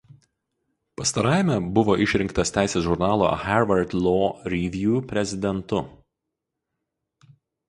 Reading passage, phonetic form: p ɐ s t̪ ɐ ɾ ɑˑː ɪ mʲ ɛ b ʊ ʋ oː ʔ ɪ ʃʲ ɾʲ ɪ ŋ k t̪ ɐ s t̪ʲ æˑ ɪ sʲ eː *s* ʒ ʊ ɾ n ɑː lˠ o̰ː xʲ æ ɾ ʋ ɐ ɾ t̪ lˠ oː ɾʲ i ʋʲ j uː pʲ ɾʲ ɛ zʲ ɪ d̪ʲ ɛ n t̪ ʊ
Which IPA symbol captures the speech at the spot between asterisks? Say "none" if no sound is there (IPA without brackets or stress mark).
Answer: s